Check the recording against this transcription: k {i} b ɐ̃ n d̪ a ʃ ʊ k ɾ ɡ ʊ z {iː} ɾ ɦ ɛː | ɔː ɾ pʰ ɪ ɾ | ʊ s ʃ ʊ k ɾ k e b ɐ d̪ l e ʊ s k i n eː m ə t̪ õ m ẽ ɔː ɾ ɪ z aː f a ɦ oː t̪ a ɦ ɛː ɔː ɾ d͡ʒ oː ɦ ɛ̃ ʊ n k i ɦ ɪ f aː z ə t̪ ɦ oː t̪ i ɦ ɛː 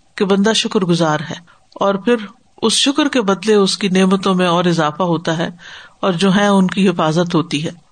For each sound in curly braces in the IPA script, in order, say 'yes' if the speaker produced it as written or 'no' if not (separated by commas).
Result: no, no